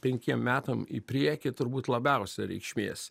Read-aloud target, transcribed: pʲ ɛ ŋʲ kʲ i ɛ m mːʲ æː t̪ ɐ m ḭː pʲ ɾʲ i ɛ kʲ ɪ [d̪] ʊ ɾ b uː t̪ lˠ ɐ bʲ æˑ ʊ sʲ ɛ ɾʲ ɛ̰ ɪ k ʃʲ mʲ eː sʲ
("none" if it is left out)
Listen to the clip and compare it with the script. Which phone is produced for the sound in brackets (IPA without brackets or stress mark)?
t̪